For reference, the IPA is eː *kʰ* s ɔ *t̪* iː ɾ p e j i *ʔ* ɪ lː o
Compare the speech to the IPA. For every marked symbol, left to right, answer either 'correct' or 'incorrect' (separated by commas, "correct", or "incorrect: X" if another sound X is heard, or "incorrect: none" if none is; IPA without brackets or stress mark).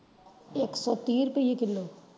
incorrect: k, correct, incorrect: k